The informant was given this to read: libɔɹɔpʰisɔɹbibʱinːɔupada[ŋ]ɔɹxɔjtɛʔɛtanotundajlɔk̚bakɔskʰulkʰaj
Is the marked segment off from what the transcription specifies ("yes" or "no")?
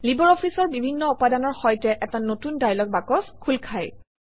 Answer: yes